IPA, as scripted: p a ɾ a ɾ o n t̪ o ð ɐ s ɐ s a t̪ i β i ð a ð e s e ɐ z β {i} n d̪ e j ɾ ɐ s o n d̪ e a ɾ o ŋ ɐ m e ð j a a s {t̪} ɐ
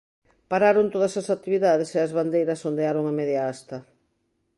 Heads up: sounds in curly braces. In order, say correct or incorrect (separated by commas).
incorrect, correct